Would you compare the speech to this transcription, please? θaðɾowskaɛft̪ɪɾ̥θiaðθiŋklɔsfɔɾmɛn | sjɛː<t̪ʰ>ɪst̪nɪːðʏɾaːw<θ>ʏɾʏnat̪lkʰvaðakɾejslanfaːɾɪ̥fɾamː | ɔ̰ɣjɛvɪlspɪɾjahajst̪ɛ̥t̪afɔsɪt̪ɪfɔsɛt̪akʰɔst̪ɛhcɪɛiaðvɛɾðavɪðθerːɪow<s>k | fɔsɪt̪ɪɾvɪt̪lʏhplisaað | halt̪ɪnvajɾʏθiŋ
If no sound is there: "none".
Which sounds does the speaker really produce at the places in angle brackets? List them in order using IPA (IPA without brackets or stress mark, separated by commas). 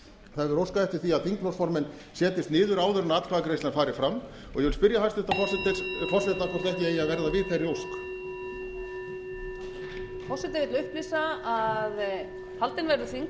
t̪, ð, s